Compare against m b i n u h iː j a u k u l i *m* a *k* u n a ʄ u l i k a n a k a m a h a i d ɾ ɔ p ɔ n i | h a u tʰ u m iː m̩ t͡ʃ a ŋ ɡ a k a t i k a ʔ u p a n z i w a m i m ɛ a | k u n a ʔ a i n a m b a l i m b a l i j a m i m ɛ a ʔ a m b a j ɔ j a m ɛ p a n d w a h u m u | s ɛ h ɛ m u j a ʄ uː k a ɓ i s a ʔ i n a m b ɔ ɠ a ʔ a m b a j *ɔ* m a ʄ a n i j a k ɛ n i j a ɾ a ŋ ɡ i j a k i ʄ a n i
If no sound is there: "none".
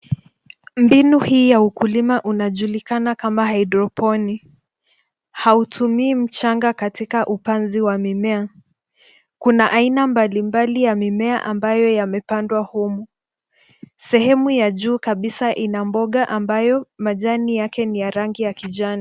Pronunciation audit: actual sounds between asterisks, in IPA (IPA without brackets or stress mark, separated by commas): m, ʔ, ɔ